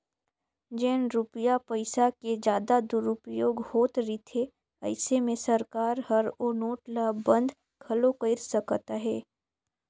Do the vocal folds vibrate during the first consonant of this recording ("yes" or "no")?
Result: yes